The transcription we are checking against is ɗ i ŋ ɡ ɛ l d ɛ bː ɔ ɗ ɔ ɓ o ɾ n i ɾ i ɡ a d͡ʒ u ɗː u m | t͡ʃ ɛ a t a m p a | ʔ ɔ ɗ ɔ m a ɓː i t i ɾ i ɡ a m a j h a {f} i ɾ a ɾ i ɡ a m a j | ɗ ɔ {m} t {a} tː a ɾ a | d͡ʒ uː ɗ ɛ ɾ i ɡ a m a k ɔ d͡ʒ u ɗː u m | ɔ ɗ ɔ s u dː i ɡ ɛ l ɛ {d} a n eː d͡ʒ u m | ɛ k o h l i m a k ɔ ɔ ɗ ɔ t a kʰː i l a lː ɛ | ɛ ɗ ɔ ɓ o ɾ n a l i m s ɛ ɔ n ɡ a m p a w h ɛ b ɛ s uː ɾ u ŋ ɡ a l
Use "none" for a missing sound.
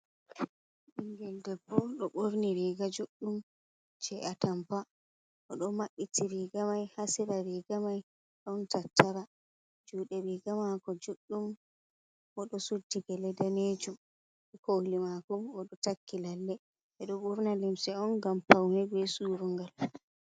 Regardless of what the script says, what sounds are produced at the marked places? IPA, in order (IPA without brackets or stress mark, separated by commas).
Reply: s, n, a, d